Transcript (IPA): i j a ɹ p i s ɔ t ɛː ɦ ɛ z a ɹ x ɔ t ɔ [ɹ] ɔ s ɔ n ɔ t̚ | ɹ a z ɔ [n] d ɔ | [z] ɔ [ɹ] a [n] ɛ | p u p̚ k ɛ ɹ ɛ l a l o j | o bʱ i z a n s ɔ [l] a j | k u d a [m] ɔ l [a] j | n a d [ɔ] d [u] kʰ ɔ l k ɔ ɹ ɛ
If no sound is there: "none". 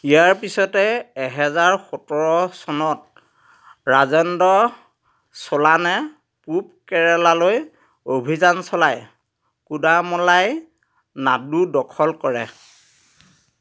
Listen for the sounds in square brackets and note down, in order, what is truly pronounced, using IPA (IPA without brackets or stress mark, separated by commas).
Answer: ɹ, n, s, l, n, l, m, a, u, ɔ